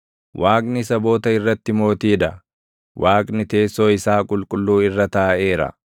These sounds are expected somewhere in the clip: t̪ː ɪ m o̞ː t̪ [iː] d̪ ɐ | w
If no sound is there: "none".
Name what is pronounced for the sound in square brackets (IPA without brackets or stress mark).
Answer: iː